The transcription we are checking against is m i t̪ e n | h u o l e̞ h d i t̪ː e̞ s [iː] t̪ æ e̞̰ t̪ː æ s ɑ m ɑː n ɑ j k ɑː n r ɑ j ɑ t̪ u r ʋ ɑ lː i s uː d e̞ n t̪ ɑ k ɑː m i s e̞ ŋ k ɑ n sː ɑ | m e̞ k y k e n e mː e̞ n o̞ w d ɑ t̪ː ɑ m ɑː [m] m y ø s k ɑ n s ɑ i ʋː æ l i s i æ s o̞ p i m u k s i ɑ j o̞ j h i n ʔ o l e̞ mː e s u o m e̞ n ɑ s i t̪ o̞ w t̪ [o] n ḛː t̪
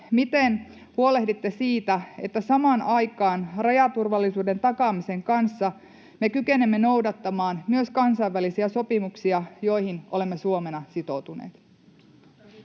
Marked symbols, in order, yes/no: yes, no, no

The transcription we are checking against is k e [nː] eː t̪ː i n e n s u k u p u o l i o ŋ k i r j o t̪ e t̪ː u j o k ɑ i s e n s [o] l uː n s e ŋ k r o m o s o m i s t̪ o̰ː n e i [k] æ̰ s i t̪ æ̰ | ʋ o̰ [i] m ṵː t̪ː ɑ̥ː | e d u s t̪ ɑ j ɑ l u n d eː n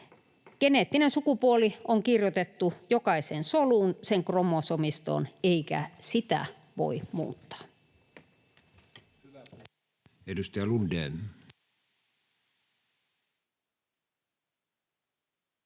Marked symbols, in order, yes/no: no, yes, yes, yes

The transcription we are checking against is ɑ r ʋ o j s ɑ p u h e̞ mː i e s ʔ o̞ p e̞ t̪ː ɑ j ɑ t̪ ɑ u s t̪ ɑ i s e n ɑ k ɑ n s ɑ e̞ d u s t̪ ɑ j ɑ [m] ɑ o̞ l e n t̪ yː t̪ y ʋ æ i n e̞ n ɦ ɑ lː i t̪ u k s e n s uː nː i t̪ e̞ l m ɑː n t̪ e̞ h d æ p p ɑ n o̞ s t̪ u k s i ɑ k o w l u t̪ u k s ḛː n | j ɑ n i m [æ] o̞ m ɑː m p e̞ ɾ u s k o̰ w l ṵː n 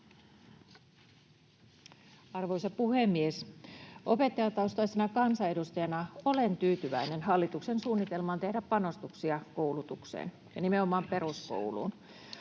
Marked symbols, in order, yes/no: no, no

